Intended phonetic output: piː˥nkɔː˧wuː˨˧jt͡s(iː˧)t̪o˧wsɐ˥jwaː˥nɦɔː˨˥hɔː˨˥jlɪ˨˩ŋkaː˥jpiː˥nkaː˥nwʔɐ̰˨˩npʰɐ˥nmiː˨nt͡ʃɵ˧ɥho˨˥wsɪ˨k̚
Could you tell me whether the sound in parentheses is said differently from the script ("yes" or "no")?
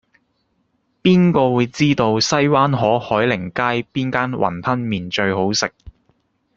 yes